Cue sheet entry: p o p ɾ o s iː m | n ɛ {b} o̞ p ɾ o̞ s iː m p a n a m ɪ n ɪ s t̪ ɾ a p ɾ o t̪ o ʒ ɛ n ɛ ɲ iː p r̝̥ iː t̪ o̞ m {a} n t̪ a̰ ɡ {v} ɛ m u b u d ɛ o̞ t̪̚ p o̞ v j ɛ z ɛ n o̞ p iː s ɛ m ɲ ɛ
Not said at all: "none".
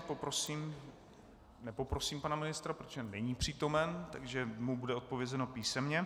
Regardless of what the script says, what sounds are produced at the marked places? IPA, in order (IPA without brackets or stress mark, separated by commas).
p, ɛ, ʒ